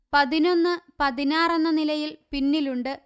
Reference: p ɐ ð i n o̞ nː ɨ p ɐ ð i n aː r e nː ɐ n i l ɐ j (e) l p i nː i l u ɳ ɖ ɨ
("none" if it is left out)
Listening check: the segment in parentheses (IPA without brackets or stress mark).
i